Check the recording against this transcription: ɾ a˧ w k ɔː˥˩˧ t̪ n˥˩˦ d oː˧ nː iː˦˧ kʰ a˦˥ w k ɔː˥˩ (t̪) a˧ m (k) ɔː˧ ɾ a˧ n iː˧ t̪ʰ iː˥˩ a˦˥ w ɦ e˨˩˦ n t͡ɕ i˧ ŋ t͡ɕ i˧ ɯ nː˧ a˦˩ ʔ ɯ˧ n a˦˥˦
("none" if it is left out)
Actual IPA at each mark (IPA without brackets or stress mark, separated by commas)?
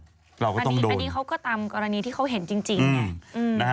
t̪, k